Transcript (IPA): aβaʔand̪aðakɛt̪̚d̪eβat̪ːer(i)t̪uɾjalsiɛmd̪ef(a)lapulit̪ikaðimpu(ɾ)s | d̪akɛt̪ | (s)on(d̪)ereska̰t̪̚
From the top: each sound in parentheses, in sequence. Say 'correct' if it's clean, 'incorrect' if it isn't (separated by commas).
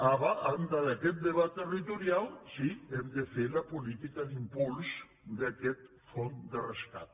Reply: correct, incorrect, incorrect, incorrect, correct